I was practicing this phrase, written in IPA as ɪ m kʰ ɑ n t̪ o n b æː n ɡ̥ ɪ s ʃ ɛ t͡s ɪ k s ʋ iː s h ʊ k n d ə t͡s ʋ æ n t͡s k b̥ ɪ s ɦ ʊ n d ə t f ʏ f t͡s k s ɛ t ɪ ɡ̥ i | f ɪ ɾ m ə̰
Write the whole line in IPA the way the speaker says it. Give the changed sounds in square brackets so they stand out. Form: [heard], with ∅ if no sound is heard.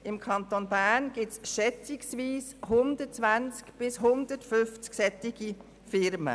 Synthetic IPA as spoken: ɪ m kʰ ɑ n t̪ o n b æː n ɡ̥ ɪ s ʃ ɛ t͡s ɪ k s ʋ iː s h ʊ [∅] n d ə t͡s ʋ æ n t͡s k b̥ ɪ s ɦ ʊ n d ə t f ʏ f t͡s k s ɛ t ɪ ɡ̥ i | f ɪ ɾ m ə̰